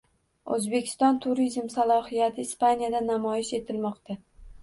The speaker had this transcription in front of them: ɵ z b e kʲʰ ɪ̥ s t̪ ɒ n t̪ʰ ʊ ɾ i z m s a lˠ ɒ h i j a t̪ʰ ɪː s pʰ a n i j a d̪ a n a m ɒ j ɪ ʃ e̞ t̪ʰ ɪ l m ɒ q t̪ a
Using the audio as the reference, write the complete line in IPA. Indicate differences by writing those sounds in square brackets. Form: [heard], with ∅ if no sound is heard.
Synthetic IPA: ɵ z b e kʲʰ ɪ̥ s t̪ ɒ n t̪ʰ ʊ ɾ i z m s a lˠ ɒ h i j a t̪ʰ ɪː s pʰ a n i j a d̪ a n a m ɒ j ɪ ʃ e̞ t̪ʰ ɪ l m ɒ q t̪ a